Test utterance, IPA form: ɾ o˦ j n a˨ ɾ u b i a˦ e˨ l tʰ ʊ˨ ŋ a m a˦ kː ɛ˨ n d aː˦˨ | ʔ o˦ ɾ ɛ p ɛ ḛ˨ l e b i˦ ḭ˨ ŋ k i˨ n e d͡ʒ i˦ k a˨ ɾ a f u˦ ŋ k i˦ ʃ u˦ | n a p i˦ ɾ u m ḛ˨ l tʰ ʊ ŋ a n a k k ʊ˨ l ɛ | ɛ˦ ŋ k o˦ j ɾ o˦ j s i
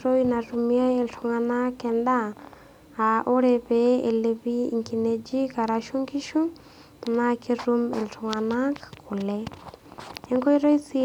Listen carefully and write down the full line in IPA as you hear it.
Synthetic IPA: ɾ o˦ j n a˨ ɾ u m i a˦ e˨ l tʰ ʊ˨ ŋ a n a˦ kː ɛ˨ n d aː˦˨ | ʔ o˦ ɾ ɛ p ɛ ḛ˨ l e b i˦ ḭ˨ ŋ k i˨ n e d͡ʒ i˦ k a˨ ɾ a ʃ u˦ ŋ k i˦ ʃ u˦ | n a k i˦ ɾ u m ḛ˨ l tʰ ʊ ŋ a n a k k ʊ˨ l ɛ | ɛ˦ ŋ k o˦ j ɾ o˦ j s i